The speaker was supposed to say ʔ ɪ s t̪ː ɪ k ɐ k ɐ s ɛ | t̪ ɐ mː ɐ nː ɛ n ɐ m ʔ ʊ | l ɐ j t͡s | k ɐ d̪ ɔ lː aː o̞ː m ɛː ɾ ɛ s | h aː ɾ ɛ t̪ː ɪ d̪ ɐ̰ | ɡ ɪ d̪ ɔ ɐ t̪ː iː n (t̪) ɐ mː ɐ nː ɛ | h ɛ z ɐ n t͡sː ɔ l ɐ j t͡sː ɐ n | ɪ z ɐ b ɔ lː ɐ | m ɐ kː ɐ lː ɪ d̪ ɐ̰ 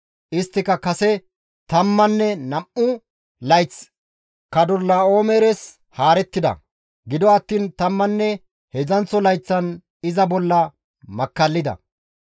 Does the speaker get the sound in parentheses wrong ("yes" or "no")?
no